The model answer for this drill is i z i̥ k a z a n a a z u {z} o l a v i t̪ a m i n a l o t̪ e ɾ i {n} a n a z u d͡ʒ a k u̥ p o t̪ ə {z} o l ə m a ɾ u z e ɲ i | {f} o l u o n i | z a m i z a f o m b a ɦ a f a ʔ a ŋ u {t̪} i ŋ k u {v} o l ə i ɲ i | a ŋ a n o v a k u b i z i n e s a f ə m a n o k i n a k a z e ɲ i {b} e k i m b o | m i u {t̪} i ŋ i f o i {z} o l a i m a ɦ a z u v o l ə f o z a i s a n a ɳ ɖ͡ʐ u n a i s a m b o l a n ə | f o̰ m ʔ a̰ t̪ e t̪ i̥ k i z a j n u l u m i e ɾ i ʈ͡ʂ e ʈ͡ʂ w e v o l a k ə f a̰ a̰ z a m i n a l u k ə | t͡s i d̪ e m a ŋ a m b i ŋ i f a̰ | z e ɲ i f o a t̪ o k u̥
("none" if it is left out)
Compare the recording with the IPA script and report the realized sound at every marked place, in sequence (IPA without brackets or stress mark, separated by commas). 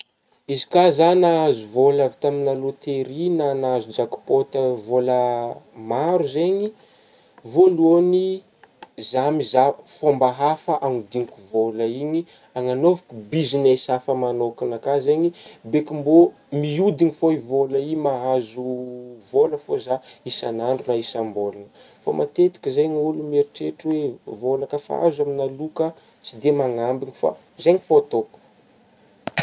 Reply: v, n, v, v, d̪, v, b, d̪, v